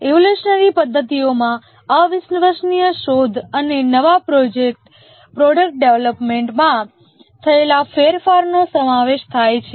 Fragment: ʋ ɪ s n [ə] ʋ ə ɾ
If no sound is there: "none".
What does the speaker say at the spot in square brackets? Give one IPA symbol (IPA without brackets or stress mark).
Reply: ə